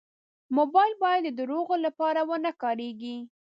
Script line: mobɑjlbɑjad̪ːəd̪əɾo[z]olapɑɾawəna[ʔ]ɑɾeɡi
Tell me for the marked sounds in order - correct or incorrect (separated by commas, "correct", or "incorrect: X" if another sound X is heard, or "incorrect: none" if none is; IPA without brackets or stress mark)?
incorrect: ɣ, incorrect: k